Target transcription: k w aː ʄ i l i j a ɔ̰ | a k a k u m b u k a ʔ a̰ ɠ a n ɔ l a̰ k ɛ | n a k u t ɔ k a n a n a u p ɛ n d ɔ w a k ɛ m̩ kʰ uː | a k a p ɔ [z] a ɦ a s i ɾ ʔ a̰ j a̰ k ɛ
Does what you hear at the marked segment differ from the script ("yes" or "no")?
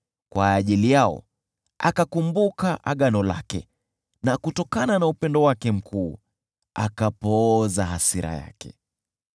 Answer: no